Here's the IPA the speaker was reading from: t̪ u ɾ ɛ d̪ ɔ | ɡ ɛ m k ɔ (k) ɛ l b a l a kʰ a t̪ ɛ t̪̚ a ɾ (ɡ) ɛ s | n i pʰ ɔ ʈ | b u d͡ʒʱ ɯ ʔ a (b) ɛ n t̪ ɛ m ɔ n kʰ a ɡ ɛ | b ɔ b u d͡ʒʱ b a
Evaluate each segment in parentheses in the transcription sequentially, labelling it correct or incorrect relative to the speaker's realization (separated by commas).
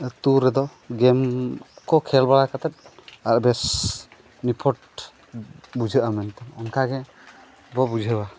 incorrect, incorrect, incorrect